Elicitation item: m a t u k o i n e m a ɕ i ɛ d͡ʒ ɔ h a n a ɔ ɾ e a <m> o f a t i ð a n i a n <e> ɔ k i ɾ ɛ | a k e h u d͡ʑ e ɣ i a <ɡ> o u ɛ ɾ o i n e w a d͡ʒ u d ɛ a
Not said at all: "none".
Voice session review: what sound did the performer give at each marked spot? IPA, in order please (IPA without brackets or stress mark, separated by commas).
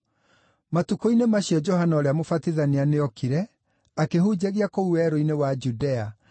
m, e, k